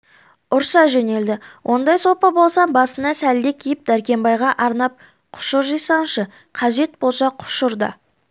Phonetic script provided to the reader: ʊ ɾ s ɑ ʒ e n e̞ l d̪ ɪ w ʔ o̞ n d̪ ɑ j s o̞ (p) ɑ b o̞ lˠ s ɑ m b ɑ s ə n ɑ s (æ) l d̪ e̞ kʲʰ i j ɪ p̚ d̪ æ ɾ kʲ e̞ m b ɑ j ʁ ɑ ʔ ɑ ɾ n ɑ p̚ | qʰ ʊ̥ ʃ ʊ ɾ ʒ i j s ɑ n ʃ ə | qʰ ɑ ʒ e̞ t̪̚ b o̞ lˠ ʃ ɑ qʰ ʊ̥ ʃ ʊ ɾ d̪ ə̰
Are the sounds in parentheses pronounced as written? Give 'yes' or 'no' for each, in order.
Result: yes, yes

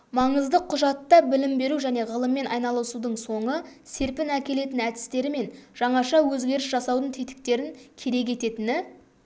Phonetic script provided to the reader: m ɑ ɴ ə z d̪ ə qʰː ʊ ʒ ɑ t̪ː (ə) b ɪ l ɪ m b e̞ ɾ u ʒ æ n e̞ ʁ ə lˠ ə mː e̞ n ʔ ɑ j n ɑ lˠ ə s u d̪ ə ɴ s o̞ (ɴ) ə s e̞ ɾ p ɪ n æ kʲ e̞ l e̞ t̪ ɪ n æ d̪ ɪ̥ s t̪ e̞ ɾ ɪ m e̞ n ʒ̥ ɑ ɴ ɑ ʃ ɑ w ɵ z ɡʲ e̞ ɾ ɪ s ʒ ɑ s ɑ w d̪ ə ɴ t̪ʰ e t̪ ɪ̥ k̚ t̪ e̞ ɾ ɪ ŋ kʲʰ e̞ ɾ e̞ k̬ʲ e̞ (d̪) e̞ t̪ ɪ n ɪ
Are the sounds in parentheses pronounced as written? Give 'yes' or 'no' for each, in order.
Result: no, yes, no

